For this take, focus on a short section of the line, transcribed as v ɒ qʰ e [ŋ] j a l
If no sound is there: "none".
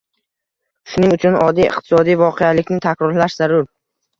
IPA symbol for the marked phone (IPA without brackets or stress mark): none